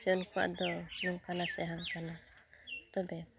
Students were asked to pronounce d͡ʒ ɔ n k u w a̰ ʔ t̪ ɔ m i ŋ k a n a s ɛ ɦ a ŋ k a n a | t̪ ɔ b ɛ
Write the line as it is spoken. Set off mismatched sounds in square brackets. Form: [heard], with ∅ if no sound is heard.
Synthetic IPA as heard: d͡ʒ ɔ n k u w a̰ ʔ [d̪] ɔ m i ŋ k a n a s ɛ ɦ a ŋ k a n a | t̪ ɔ b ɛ